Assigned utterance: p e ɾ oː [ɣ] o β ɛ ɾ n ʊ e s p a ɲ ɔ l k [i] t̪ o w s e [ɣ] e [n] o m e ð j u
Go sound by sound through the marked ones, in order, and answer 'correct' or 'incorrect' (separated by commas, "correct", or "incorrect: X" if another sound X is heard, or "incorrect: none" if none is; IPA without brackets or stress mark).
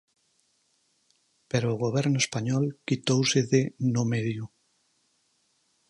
correct, correct, incorrect: ð, correct